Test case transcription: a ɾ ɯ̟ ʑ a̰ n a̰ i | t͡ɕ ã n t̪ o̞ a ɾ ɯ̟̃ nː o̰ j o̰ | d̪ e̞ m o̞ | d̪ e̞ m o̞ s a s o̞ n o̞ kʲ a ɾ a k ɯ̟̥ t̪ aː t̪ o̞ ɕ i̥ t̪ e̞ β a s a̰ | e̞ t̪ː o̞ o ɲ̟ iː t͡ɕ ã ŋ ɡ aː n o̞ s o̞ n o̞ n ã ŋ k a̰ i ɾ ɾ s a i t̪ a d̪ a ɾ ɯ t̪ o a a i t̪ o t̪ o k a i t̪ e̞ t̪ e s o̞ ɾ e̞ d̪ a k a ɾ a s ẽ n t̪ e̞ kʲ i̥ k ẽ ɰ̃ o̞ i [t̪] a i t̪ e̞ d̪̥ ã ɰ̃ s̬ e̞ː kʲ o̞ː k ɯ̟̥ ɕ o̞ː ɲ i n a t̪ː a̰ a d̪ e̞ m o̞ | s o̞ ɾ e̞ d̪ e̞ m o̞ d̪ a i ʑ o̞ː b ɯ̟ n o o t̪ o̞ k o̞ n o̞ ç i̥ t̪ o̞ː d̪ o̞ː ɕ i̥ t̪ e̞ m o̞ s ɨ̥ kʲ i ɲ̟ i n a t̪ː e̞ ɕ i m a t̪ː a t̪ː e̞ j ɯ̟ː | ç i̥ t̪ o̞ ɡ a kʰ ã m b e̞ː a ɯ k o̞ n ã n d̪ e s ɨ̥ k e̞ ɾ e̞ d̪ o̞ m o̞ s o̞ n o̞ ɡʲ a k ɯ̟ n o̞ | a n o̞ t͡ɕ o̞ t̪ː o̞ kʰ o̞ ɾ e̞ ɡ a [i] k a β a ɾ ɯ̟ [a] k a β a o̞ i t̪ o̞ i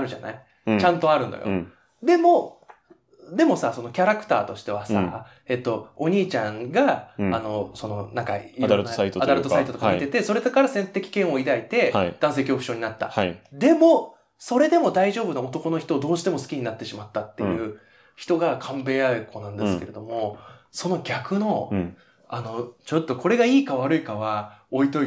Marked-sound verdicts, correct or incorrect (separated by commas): incorrect, incorrect, incorrect